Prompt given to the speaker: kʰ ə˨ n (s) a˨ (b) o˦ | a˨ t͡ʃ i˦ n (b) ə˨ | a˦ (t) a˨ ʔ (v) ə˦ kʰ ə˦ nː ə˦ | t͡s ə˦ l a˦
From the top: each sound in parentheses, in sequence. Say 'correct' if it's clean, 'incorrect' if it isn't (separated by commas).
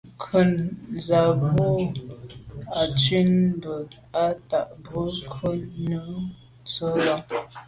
incorrect, correct, correct, correct, incorrect